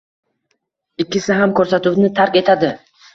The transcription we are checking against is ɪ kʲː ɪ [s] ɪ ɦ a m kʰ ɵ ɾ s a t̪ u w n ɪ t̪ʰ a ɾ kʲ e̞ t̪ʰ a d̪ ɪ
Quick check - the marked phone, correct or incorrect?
correct